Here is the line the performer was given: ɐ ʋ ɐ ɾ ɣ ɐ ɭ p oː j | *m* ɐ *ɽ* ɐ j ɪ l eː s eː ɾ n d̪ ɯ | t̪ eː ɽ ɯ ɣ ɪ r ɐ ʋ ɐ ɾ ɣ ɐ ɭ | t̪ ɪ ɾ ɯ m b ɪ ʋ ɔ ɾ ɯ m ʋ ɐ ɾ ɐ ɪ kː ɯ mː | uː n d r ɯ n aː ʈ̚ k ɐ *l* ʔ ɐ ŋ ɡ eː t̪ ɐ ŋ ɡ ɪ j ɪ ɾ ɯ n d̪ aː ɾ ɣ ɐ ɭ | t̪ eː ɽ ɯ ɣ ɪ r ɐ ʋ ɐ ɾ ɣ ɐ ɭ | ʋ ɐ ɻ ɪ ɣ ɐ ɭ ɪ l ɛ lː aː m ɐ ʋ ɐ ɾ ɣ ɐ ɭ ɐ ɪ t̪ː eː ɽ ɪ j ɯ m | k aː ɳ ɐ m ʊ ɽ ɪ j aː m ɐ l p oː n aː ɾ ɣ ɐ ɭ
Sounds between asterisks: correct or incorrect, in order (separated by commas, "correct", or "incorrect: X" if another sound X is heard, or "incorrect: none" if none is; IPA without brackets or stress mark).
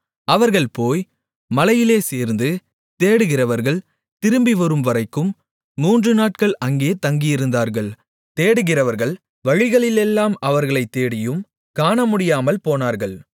correct, incorrect: l, incorrect: ɭ